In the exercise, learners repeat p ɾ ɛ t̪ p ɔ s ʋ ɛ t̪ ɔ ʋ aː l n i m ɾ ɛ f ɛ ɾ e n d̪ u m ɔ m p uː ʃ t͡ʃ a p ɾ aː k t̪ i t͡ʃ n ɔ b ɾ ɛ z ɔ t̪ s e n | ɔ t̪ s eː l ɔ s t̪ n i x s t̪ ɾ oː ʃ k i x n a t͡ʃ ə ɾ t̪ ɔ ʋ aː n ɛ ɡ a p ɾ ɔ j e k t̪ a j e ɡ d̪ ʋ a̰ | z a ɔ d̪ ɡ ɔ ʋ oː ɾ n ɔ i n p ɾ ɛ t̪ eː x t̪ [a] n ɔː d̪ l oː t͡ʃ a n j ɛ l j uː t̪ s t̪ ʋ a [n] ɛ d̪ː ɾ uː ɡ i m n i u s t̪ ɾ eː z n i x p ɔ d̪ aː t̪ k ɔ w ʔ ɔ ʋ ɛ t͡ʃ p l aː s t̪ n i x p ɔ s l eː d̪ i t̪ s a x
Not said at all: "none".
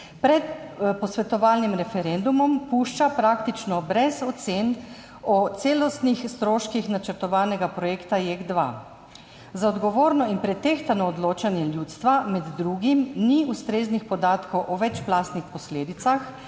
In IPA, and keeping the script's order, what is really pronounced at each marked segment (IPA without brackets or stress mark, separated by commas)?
a, m